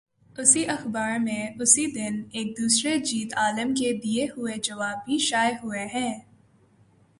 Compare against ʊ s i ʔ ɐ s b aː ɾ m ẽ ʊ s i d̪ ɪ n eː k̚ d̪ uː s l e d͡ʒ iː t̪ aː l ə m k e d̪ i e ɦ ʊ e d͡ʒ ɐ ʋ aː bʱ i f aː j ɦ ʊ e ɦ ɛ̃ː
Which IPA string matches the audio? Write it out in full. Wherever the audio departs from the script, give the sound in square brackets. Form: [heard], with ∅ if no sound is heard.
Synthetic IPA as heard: ʊ s i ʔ ɐ [x] b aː ɾ m ẽ ʊ s i d̪ ɪ n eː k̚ d̪ uː s [ɾ] e d͡ʒ iː t̪ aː l ə m k e d̪ i e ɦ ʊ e d͡ʒ ɐ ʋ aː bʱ i [ʃ] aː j ɦ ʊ e ɦ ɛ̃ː